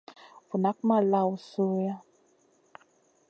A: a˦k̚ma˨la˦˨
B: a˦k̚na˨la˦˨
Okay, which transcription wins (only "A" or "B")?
A